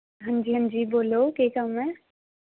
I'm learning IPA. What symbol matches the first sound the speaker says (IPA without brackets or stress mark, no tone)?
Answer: ɦ